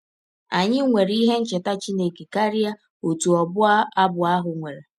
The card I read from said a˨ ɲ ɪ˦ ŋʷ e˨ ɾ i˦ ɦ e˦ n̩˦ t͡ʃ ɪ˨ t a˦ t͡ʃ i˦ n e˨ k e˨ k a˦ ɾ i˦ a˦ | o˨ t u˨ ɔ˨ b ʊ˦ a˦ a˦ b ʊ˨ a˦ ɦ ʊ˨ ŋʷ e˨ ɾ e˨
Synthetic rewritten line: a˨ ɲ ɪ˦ ŋʷ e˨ ɾ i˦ ɦ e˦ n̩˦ t͡ʃ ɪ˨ t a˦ t͡ʃ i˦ n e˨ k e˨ k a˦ ɾ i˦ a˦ | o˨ t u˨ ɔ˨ b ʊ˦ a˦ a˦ b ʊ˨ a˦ ɦ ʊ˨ ŋʷ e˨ ɾ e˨